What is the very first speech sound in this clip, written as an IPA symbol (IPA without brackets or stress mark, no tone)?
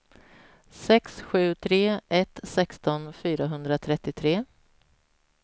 s